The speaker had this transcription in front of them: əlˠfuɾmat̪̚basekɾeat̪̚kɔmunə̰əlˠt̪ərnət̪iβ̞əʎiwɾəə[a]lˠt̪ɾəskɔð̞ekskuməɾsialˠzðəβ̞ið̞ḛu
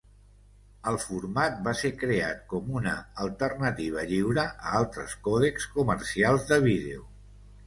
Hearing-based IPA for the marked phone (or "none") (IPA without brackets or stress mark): a